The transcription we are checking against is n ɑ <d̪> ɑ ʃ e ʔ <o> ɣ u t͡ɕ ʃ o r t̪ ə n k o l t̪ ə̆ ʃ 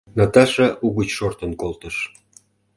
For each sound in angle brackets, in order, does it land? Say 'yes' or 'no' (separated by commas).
no, no